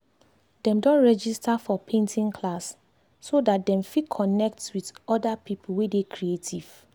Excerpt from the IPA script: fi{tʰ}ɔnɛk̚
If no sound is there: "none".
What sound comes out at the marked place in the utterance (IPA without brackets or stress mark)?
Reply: kʰ